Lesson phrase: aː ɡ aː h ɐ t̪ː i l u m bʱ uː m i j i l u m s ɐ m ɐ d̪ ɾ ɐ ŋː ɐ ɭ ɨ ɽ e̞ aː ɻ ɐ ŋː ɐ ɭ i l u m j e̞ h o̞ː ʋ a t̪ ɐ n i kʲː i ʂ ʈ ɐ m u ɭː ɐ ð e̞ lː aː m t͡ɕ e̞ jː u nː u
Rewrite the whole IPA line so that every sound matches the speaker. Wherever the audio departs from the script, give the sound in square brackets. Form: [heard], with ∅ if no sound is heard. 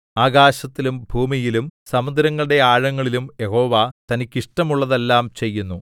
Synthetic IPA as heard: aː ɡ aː [ɕ] ɐ t̪ː i l u m bʱ uː m i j i l u m s ɐ m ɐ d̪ ɾ ɐ ŋː ɐ ɭ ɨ ɽ e̞ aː ɻ ɐ ŋː ɐ ɭ i l u m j e̞ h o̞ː ʋ a t̪ ɐ n i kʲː i ʂ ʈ ɐ m u ɭː ɐ ð e̞ lː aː m t͡ɕ e̞ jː u nː u